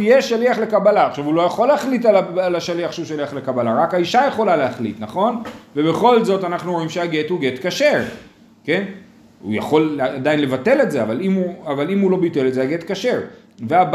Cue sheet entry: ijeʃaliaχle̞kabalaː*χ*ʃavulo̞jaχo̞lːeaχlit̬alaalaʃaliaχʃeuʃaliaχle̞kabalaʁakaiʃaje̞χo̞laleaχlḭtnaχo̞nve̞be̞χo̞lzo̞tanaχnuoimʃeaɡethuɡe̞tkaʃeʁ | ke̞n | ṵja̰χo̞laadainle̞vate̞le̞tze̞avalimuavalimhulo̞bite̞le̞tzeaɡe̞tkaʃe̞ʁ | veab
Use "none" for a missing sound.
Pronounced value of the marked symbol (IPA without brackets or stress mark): χ